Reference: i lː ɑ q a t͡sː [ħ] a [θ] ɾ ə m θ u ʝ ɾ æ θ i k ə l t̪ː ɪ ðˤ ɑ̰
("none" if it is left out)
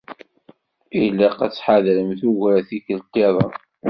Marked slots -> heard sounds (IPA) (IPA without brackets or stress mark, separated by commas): ħ, ð